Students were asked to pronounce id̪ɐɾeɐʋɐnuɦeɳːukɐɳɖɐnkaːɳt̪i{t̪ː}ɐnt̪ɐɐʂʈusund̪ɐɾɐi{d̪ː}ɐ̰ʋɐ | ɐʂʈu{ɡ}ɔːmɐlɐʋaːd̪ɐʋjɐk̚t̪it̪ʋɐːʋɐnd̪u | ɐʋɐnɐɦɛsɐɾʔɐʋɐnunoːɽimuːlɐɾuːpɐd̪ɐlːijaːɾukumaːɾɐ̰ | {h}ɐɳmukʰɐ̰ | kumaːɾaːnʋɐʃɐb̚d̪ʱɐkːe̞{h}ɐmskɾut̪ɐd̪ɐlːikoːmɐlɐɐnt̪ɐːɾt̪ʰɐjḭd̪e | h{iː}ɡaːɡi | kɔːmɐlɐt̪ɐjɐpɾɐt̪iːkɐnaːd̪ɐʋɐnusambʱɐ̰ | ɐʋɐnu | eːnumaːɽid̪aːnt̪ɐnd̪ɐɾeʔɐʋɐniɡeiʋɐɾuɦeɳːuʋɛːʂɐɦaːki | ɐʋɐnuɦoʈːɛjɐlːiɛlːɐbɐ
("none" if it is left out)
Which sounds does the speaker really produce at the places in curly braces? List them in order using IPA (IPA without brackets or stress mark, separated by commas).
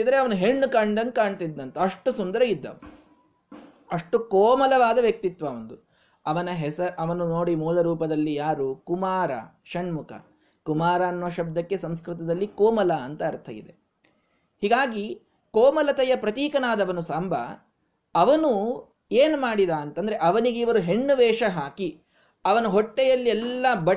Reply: d̪ː, d̪ː, k, ʃ, s, iː